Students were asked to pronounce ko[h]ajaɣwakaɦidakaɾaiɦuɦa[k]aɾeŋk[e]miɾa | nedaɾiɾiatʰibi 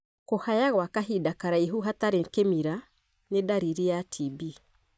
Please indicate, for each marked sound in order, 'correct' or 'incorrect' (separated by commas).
correct, incorrect, correct